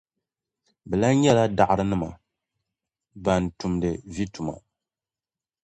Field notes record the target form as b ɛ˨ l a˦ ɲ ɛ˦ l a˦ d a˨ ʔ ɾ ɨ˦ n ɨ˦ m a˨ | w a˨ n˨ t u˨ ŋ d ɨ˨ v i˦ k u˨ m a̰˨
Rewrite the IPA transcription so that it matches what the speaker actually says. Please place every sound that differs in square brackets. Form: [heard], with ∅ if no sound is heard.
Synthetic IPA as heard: b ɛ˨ l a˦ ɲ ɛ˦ l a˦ d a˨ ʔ ɾ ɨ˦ n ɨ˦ m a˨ | [b] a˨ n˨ t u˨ [m] d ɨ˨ v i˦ [t] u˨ m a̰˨